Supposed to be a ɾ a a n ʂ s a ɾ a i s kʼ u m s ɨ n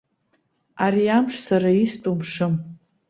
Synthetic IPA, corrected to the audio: a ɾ i a m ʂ s a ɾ a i s tʼ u m ʂ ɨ m